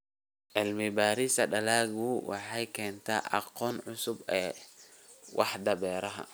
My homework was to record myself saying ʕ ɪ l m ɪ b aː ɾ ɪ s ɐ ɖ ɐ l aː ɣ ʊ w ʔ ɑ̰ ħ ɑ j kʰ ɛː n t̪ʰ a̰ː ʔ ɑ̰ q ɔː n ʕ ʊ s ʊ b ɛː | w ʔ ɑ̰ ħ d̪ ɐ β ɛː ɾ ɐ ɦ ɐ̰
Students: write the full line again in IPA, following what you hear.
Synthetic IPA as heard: ʕ ɪ l m ɪ b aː ɾ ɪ s ɐ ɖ ɐ l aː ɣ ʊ w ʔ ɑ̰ ħ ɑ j kʰ ɛː n t̪ʰ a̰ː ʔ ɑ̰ q ɔː n ʕ ʊ s ʊ b ɛː | w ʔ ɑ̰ ħ d̪ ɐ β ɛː ɾ ɐ ɦ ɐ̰